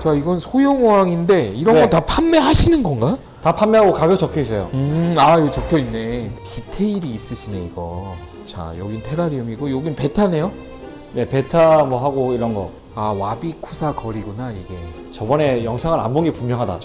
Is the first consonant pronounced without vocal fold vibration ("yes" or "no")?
yes